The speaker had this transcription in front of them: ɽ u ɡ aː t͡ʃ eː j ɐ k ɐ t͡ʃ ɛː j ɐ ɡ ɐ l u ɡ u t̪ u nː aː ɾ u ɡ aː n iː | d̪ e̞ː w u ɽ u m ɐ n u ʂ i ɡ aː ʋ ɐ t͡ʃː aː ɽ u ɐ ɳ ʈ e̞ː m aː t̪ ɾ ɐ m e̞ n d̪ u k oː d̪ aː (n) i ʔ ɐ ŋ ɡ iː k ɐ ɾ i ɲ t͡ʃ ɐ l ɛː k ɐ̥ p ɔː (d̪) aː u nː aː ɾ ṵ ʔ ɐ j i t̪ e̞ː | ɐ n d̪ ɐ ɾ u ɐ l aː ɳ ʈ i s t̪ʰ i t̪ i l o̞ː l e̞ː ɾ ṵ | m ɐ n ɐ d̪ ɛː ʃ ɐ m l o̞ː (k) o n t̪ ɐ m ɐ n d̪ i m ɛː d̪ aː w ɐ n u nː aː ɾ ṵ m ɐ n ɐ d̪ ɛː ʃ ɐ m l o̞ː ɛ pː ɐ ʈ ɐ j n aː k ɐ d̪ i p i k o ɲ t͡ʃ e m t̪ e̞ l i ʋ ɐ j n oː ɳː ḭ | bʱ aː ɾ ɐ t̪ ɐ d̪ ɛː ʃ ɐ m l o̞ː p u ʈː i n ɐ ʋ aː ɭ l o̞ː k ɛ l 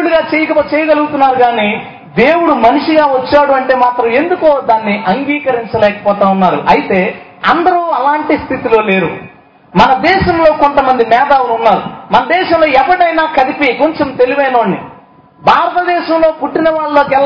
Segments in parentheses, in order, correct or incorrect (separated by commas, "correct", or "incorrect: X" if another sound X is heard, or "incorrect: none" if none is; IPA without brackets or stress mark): incorrect: nː, incorrect: t̪, correct